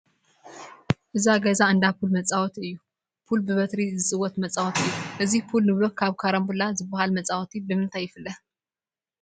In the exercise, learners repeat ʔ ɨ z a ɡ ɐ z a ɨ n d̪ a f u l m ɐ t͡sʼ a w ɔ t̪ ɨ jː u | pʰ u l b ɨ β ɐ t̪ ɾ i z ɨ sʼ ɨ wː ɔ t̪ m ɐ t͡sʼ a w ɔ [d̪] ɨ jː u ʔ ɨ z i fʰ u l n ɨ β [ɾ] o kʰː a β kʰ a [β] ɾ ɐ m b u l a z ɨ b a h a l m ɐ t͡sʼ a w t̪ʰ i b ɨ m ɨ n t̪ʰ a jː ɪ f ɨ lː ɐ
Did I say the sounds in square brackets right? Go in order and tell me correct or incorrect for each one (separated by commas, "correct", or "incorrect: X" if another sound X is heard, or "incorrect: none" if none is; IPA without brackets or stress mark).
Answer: incorrect: t̪, incorrect: l, incorrect: none